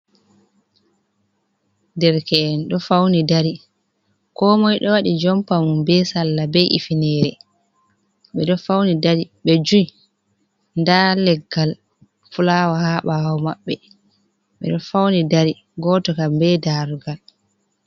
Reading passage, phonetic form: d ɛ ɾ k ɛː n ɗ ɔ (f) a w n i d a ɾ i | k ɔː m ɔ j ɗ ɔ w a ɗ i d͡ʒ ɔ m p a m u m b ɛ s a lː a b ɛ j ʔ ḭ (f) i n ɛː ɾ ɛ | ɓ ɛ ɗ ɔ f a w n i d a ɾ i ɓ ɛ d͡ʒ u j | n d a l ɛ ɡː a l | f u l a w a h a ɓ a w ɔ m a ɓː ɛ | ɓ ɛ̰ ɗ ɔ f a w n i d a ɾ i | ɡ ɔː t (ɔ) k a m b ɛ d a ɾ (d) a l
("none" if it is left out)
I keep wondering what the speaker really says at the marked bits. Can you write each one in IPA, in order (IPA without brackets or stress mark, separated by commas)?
f, f, ɔ, ɡ